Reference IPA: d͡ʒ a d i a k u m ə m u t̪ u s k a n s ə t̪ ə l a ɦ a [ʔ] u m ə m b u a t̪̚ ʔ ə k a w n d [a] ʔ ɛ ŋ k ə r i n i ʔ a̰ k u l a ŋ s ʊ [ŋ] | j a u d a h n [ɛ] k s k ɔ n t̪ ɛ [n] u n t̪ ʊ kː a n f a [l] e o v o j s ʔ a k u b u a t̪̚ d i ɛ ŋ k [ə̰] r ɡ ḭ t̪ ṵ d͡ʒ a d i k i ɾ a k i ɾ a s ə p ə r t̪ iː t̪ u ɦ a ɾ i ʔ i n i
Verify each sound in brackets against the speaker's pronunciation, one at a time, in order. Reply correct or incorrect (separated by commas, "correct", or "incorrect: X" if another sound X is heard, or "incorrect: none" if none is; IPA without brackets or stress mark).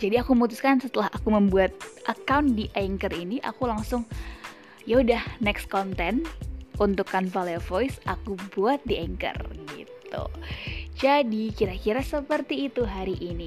incorrect: k, incorrect: i, correct, correct, correct, correct, correct